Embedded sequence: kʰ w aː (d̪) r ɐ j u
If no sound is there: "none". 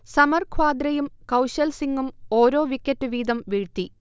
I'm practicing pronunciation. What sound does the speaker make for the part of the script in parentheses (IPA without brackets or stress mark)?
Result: d̪